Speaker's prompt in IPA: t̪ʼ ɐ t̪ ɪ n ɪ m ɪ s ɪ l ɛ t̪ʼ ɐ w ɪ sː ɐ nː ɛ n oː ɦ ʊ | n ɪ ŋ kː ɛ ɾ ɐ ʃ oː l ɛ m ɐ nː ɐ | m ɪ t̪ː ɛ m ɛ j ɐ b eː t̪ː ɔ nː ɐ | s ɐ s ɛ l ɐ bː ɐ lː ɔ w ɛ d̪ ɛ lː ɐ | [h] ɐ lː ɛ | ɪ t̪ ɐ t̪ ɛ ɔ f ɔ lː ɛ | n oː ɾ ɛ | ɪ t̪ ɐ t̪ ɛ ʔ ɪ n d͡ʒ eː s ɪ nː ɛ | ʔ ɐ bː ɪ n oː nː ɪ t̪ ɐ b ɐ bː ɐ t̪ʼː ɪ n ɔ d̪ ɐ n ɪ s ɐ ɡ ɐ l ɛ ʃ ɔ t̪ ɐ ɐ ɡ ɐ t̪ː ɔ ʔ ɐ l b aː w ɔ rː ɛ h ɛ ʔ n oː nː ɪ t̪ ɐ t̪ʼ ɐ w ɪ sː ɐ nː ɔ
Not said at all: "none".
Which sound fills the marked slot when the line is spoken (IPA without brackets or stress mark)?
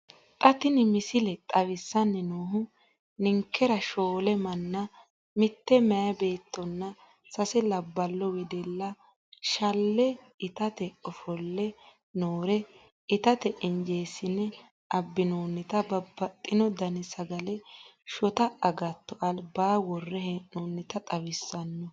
ʃ